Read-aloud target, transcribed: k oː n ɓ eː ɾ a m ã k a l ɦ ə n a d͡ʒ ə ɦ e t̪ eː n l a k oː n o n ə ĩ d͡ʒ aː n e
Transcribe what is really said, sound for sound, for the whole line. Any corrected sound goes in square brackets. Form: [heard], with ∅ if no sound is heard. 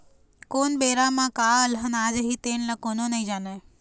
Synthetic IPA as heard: k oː n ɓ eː ɾ a m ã k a l ɦ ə n a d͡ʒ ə ɦ [i] t̪ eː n l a k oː n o n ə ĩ d͡ʒ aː n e